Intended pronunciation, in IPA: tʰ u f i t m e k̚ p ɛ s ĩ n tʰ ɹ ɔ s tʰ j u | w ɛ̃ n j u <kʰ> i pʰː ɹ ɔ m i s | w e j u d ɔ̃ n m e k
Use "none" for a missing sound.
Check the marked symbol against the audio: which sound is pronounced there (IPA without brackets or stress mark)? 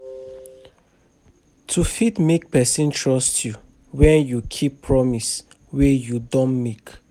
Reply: kʰ